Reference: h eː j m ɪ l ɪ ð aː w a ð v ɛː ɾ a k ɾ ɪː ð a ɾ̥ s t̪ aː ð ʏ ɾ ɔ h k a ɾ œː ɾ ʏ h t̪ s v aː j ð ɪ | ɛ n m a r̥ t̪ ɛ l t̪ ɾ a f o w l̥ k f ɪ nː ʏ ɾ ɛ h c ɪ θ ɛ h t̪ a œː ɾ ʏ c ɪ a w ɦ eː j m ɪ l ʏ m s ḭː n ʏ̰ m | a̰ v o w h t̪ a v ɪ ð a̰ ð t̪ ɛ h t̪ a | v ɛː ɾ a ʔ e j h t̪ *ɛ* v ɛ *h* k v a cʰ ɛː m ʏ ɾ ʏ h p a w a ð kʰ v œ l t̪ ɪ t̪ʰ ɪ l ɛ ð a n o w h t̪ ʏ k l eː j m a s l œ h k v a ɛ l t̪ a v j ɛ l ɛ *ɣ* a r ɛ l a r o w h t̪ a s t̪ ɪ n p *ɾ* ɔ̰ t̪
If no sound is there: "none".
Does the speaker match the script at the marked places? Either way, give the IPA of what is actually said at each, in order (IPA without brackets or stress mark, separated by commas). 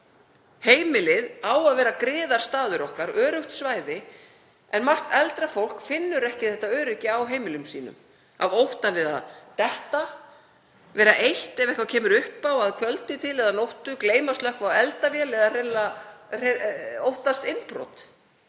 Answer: ɛ, h, ð, ɾ